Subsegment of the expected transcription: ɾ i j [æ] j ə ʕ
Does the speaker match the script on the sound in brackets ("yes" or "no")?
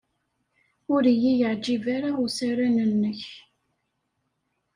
no